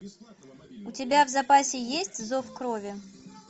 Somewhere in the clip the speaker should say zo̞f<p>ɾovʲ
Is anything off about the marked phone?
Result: yes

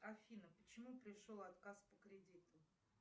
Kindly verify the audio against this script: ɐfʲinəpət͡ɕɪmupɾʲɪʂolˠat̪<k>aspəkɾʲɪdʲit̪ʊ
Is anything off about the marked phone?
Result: no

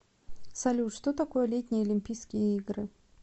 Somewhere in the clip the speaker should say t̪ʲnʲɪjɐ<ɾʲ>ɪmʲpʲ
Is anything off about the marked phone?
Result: yes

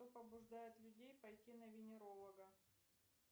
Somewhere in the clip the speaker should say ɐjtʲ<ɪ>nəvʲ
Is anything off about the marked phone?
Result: yes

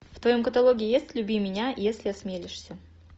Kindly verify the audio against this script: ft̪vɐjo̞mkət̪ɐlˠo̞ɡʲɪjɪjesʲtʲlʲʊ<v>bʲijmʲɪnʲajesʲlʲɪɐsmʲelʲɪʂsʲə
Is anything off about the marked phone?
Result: yes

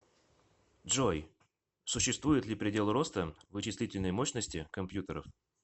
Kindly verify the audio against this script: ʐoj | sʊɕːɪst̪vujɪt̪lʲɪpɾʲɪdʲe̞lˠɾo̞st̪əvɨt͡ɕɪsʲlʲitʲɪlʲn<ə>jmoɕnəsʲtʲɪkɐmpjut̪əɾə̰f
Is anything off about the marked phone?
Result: no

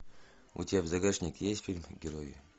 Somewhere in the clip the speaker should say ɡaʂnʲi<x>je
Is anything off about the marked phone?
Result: yes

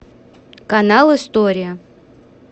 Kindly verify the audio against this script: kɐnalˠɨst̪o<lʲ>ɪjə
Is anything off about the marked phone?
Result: yes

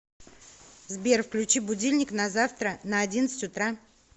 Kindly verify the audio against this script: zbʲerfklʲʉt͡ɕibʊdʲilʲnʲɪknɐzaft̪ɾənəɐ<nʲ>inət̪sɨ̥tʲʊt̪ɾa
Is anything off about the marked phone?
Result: yes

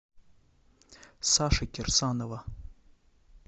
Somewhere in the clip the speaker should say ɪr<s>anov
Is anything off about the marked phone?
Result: no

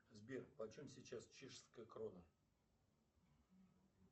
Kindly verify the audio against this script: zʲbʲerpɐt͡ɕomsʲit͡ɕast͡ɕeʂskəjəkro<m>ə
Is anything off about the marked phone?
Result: yes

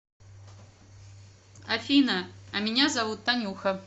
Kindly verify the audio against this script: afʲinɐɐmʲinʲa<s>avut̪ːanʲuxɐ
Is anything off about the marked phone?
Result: yes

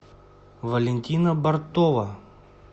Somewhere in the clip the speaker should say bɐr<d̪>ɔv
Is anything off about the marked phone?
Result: yes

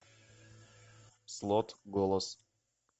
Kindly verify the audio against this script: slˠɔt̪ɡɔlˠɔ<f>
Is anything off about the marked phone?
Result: yes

